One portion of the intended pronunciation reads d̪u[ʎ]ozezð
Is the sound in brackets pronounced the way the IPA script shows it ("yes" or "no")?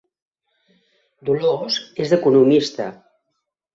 no